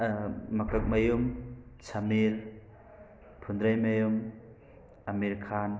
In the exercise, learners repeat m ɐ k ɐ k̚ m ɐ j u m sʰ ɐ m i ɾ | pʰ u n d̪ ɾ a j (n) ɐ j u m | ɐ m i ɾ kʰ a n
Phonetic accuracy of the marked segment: incorrect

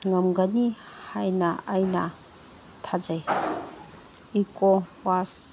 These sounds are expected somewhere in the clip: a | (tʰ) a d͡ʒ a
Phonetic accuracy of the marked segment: correct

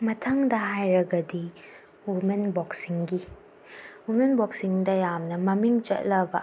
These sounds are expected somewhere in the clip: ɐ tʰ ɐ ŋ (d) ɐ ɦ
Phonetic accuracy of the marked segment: correct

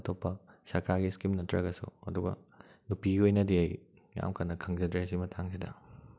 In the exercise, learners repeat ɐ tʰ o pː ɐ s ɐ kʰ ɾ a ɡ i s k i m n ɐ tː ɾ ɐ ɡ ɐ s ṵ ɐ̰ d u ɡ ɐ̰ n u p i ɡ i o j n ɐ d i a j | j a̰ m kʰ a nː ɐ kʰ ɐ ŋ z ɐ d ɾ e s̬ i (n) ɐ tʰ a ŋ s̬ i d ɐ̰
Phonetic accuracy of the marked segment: incorrect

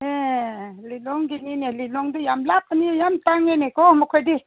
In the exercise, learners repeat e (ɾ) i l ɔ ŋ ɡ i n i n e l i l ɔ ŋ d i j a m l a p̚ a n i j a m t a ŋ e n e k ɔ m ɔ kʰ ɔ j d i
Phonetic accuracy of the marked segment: incorrect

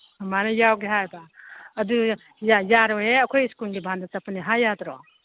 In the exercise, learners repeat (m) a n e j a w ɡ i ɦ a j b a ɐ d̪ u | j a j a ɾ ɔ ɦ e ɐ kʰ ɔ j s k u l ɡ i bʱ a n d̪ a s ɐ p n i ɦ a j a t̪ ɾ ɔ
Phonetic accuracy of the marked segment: correct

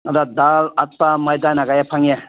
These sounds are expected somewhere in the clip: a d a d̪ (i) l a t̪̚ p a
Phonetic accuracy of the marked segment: incorrect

